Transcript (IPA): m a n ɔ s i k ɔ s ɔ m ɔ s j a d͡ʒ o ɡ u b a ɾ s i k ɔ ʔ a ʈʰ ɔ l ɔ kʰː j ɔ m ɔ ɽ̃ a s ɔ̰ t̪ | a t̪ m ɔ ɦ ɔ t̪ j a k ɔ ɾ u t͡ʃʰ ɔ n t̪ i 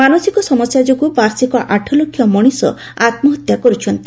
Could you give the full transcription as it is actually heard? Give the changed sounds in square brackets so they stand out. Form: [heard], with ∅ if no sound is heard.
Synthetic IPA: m a n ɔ s i k ɔ s ɔ m ɔ s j a d͡ʒ o ɡ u b a ɾ s i k ɔ ʔ a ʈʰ ɔ l [o] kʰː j ɔ m ɔ ɽ̃ [i] s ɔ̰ [∅] | a t̪ m ɔ ɦ ɔ t̪ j a k ɔ ɾ u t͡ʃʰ ɔ n t̪ i